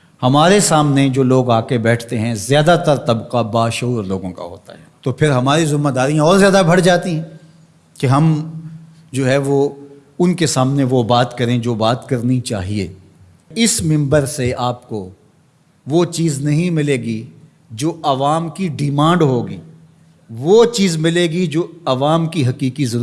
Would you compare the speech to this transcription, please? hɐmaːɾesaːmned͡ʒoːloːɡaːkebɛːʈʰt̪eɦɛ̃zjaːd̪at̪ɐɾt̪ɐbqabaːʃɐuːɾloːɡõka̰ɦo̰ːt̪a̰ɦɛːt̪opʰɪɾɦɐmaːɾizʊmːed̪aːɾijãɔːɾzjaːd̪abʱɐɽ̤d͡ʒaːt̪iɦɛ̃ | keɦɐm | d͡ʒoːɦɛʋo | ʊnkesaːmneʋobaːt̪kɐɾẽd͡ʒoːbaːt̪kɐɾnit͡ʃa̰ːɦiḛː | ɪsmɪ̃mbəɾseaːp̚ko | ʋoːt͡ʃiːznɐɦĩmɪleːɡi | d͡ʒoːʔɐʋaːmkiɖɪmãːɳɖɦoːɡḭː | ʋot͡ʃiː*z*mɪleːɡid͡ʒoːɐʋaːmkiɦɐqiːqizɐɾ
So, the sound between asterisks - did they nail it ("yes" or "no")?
yes